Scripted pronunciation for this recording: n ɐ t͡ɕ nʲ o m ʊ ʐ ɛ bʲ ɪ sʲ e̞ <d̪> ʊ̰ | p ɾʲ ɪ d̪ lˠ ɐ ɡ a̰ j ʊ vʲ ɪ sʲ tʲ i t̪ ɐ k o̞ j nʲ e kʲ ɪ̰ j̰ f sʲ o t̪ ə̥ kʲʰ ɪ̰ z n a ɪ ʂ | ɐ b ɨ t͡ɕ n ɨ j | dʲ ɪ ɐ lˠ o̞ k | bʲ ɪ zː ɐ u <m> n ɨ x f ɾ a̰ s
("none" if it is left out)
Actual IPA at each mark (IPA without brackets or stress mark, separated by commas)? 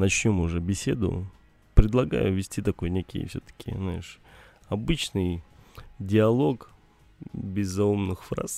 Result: d̪, m